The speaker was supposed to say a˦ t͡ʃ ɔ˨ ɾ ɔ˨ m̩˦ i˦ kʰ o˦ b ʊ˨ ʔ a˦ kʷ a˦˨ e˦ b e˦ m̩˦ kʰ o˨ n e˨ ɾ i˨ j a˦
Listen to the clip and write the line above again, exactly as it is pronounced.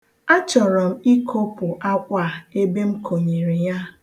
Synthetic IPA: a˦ t͡ʃ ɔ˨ ɾ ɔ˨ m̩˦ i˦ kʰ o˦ p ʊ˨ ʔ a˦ kʷ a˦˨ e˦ b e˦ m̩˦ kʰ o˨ ɲ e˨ ɾ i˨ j a˦